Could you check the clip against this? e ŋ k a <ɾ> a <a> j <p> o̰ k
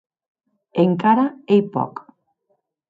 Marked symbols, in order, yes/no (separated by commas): yes, no, yes